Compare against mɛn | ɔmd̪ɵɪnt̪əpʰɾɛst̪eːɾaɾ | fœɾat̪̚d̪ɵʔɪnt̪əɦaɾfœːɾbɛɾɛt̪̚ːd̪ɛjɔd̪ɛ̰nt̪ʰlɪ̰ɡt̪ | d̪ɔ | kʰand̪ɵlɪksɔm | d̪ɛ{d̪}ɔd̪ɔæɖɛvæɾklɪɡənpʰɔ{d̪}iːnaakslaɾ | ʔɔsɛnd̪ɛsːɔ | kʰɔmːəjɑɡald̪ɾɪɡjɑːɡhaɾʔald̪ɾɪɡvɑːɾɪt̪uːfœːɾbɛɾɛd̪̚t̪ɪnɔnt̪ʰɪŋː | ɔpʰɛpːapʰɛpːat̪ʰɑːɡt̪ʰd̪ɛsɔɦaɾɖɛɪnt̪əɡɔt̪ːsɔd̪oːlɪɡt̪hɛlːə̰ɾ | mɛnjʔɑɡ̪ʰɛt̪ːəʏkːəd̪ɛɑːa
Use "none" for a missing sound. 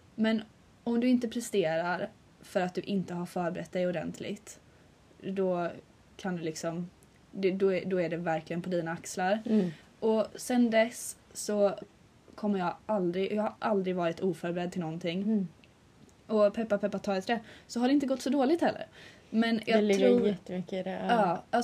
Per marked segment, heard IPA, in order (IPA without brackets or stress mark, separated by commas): d̪, d̪